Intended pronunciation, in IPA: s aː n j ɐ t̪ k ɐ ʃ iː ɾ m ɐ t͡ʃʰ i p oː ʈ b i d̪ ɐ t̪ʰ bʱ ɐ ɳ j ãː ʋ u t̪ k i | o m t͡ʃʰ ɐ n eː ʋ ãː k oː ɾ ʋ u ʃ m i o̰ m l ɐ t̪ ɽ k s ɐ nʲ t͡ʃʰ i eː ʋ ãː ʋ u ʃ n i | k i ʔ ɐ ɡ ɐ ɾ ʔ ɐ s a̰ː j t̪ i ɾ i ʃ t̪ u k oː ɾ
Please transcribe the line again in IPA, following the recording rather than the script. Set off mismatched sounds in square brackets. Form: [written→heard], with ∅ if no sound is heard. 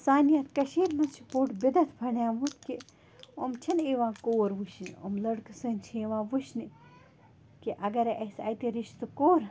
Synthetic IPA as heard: s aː n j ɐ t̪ k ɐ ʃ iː ɾ m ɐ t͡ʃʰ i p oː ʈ b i d̪ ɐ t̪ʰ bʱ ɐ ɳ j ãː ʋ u t̪ k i | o m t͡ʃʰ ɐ n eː ʋ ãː k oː ɾ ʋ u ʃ [m→n] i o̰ m l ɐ [t̪→∅] ɽ k s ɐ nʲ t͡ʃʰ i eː ʋ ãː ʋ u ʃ n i | k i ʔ ɐ ɡ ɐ ɾ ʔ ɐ s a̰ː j t̪ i ɾ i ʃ t̪ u k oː ɾ